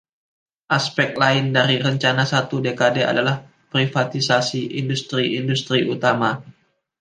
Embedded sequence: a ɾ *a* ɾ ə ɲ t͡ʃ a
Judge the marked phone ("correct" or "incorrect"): incorrect